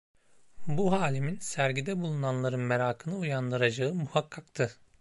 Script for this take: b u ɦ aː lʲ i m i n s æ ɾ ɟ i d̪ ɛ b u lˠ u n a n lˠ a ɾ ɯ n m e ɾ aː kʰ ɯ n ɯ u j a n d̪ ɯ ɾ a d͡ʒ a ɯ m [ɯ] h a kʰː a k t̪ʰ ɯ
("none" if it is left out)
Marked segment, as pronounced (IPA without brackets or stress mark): u